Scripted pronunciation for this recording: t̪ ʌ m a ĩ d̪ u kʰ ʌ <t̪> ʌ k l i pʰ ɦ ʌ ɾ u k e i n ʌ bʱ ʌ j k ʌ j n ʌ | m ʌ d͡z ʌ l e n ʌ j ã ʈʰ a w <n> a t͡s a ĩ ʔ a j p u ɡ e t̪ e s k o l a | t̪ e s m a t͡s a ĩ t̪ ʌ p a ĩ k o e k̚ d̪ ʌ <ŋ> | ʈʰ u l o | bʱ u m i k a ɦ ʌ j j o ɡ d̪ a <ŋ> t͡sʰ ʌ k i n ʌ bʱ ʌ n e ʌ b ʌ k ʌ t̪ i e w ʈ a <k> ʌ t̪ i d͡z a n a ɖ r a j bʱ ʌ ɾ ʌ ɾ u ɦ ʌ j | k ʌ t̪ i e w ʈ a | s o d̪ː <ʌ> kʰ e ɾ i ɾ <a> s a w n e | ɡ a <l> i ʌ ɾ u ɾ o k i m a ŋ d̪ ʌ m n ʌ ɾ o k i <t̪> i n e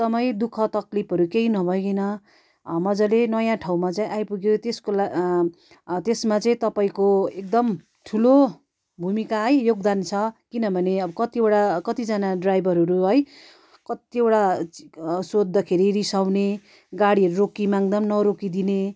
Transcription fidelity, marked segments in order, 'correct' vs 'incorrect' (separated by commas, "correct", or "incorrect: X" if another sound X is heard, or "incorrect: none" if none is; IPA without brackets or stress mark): correct, incorrect: m, incorrect: m, incorrect: n, correct, correct, incorrect: i, incorrect: ɽ, incorrect: d̪